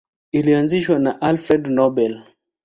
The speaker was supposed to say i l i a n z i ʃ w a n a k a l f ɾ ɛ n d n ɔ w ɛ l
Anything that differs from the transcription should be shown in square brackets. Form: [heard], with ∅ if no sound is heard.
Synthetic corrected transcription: i l i a n z i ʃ w a n a [ʔ] a l f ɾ ɛ [∅] d n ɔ [b] ɛ l